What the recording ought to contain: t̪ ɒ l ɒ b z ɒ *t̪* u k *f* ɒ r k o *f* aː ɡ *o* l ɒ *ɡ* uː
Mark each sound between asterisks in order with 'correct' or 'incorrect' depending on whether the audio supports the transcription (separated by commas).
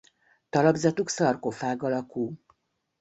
correct, incorrect, correct, incorrect, incorrect